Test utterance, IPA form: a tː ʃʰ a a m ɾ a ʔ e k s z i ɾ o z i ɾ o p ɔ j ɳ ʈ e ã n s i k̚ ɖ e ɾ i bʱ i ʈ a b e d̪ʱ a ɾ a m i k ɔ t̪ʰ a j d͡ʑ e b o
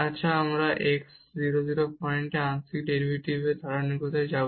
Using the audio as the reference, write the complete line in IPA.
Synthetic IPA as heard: a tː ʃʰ a a m ɾ a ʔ e k s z i ɾ o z i ɾ o p ɔ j ɳ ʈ e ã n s i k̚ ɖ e ɾ i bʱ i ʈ i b e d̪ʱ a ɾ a n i k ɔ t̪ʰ a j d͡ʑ a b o

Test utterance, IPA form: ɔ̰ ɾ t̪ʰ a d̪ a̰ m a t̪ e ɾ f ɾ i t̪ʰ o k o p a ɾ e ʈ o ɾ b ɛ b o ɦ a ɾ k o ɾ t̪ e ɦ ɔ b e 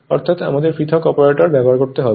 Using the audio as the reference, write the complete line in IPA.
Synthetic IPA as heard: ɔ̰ ɾ t̪ʰ a t̪ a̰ m a d̪ e ɾ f ɾ i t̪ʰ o k ɔ p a ɾ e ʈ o ɾ b ɛ b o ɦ a ɾ k o ɾ t̪ e ɦ ɔ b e

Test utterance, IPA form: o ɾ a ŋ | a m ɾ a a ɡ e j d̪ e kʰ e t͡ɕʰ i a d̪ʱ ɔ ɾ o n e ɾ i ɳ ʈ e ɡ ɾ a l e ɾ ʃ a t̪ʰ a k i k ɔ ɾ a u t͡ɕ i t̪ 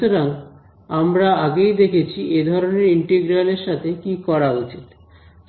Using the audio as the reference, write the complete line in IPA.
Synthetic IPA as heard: o ɾ a ŋ | a m ɾ a a ɡ e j d̪ e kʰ e t͡ɕʰ i e d̪ʱ ɔ ɾ o n e ɾ i ɳ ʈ e ɡ ɾ a l e ɾ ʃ a t̪ʰ e k i k ɔ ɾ a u t͡ɕ i t̪

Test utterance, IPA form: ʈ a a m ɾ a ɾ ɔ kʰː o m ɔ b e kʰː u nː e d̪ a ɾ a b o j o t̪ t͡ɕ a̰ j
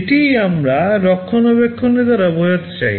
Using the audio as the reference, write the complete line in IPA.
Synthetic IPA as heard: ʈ i a m ɾ a ɾ ɔ kʰː o n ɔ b e kʰː o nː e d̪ a ɾ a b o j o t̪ t͡ɕ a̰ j

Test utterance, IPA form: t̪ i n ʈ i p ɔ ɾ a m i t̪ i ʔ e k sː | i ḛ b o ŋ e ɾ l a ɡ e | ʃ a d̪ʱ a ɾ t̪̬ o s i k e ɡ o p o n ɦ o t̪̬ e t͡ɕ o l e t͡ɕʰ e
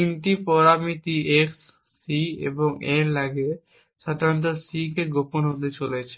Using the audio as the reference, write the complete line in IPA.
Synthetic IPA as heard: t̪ i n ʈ i p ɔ ɾ a m i t̪ i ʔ e k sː | i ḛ b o ŋ e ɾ l a ɡ e | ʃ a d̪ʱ a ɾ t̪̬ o s i k e ɡ o p o n ɦ o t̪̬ e t͡ɕ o l e t͡ɕʰ e

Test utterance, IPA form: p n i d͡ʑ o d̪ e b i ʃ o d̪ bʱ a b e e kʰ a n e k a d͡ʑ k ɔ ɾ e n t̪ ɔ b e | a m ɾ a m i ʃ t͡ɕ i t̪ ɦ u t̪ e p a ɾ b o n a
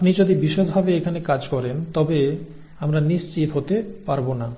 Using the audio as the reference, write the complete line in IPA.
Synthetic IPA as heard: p n i d͡ʑ o d̪ i b i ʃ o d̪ bʱ a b e e kʰ a n e k a d͡ʑ k ɔ ɾ e n t̪ ɔ b e | a m ɾ a n i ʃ t͡ɕ i t̪ ɦ o t̪ e p a ɾ b o n a

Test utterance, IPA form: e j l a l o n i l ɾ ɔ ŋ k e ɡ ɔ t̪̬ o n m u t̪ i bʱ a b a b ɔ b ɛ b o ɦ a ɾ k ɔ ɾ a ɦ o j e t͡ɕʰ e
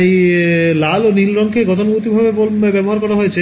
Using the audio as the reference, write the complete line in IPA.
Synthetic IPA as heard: e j l a l o n i l ɾ ɔ ŋ k e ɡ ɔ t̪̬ o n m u t̪ i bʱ a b e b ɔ b ɛ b o ɦ a ɾ k ɔ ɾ a ɦ o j e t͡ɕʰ e

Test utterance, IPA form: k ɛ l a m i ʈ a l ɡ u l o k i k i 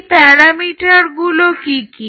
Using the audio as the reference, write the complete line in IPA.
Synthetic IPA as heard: p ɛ ɾ a m i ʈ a ɾ ɡ u l o k i k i

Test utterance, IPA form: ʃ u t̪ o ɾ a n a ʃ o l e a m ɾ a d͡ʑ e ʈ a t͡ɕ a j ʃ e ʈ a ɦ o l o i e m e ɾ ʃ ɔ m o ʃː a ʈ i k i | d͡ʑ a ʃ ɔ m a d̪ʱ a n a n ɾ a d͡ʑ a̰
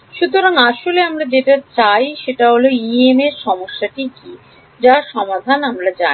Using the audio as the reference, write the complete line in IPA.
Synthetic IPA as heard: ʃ u t̪ o ɾ a ŋ a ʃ o l e a m ɾ a d͡ʑ e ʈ a t͡ɕ a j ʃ e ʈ a ɦ o l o i e m e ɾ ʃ ɔ m o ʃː a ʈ i k i | d͡ʑ a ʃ ɔ m a d̪ʱ a n a m ɾ a d͡ʑ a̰

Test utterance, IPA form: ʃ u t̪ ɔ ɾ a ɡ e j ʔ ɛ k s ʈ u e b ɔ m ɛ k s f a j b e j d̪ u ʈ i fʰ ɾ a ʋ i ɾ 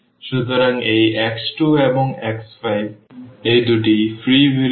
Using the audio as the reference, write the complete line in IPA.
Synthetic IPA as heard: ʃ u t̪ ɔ ɾ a ŋ e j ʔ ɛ k s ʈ u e b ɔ ŋ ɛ k s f a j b e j d̪ u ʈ i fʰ ɾ i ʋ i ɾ

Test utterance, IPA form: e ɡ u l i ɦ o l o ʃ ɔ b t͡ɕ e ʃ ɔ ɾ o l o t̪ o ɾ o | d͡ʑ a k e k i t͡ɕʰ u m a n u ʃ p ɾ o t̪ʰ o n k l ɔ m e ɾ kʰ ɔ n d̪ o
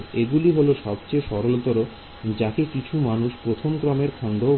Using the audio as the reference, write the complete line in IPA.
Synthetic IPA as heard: e ɡ u l i ɦ o l o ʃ ɔ b t͡ɕ e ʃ ɔ ɾ o l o t̪ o ɾ o | d͡ʑ a k e k i t͡ɕʰ u m a n u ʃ p ɾ o t̪ʰ o m k ɾ ɔ m e ɾ kʰ ɔ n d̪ o

